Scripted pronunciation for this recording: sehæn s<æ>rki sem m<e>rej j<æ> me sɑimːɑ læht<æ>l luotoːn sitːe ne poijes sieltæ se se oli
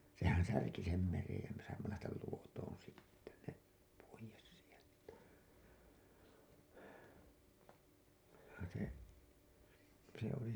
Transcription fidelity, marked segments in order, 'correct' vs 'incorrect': correct, correct, correct, correct

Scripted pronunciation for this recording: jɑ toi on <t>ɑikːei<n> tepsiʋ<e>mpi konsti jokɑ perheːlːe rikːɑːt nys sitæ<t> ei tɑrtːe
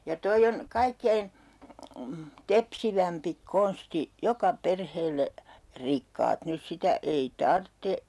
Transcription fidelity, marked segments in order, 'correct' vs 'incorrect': incorrect: k, correct, incorrect: æ, incorrect: none

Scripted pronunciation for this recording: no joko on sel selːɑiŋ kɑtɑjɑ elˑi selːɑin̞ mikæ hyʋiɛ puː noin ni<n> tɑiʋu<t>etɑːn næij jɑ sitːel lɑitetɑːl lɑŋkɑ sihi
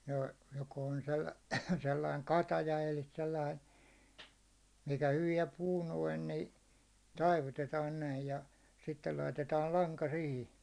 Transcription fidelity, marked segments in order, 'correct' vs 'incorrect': incorrect: none, correct

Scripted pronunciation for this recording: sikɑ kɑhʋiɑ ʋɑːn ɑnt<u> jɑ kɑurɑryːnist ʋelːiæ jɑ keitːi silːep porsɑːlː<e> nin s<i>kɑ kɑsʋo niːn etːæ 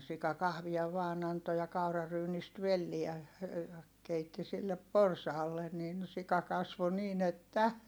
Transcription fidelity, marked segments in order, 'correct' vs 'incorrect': incorrect: o, correct, correct

